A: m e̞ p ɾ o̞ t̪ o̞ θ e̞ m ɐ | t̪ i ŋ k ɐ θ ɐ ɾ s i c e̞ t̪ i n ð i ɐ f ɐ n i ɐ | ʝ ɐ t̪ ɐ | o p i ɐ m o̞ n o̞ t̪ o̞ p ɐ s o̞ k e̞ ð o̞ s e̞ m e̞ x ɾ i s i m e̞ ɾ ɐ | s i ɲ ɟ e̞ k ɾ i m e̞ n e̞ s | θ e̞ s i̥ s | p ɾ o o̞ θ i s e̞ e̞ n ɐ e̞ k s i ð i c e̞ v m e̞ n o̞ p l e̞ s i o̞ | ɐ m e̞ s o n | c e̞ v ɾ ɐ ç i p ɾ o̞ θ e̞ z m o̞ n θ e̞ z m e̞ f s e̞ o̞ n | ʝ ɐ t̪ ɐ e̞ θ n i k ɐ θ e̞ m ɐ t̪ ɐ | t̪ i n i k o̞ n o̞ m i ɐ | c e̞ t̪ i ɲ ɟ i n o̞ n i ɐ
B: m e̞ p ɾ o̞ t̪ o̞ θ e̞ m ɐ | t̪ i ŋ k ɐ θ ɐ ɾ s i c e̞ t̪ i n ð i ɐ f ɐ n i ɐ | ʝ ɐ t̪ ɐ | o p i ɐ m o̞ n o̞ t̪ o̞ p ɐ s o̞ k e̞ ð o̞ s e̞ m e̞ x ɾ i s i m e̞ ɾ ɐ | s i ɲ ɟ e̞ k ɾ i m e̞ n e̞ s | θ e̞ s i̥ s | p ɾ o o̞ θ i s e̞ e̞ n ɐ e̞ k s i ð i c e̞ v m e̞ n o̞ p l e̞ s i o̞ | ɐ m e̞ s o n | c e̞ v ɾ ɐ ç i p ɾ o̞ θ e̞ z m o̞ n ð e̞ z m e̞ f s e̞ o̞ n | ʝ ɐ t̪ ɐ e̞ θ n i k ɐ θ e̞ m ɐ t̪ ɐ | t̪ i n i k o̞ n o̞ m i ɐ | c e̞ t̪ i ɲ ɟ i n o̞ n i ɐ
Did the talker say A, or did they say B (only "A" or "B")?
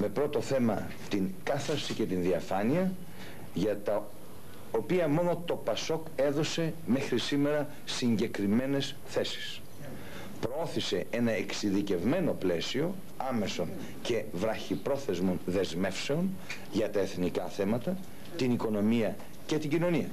B